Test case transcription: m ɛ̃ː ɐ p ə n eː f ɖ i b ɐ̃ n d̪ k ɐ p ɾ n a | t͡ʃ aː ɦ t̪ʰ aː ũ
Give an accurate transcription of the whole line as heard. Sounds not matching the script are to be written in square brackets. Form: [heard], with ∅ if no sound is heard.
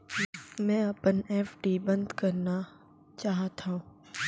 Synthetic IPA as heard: m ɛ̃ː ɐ p ə n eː f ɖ i b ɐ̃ n d̪ k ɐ [∅] ɾ n a | t͡ʃ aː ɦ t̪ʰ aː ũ